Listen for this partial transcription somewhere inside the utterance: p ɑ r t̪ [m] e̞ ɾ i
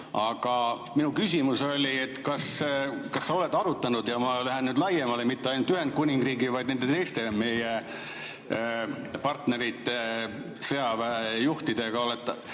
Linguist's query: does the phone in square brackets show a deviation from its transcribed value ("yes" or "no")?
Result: yes